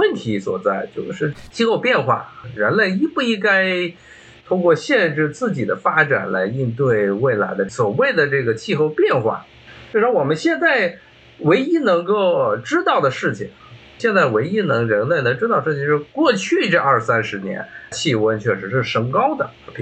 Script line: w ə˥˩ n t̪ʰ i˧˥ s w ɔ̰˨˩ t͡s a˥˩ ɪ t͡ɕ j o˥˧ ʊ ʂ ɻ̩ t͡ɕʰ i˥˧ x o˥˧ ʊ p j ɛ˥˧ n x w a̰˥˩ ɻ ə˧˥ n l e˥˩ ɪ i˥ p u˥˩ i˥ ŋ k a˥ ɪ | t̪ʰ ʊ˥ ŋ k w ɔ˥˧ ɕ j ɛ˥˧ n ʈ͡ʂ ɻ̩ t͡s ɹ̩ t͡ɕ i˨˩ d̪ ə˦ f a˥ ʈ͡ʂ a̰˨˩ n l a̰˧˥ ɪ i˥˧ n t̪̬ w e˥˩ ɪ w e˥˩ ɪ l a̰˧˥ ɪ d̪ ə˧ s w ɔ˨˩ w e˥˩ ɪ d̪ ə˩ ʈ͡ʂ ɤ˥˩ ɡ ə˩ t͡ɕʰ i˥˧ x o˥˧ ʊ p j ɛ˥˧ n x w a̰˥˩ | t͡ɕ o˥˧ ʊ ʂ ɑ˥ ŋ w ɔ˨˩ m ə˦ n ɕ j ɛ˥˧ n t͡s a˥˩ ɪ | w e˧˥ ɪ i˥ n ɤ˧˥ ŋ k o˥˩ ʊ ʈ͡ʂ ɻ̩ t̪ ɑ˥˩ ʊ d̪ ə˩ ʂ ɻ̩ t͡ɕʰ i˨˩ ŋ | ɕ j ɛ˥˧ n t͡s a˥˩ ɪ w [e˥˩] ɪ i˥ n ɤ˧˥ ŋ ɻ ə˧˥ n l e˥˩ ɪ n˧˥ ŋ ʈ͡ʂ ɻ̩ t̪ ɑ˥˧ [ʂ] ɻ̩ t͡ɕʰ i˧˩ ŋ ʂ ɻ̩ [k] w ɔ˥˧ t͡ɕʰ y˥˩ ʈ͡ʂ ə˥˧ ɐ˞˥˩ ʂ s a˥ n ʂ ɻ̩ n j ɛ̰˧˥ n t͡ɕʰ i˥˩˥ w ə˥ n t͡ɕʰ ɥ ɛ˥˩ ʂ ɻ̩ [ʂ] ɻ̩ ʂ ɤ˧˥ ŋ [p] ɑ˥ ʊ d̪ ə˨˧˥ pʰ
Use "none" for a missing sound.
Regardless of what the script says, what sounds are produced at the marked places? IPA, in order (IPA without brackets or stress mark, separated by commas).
e˧˥, ʂ, k, ʂ, k